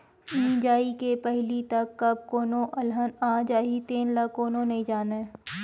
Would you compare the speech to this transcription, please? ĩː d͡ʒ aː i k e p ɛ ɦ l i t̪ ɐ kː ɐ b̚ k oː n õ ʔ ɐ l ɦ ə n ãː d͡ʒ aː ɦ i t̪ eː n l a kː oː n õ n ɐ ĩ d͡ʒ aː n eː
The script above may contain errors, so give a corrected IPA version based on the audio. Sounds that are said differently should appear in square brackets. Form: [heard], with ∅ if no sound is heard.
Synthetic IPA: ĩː d͡ʒ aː i k e p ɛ ɦ l i t̪ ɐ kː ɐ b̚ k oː n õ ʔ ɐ l ɦ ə n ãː d͡ʒ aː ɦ i t̪ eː n l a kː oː n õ n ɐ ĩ d͡ʒ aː n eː